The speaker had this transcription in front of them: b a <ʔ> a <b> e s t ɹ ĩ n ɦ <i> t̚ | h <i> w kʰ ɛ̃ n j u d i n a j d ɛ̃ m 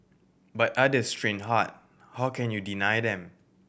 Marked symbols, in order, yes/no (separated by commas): no, no, no, no